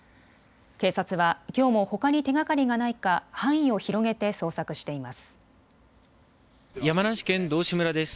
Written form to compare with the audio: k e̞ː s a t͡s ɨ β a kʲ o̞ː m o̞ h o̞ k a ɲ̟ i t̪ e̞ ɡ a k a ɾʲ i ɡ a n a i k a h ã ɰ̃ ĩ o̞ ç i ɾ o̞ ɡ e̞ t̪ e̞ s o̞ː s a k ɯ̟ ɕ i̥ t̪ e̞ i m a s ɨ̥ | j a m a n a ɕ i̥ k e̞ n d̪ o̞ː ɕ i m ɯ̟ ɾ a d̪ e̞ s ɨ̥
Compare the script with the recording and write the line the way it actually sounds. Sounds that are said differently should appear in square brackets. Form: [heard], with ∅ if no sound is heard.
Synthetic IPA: k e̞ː s a t͡s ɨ β a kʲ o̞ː m o̞ h o̞ k a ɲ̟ i t̪ e̞ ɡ a k a ɾʲ i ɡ a n a i k a h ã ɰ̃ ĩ o̞ ç i ɾ o̞ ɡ e̞ t̪ e̞ s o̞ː s a k ɯ̟ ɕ i̥ t̪ e̞ i m a s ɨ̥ | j a m a n a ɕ i̥ k [ẽ̞] n d̪ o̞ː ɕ i m ɯ̟ ɾ a d̪ e̞ s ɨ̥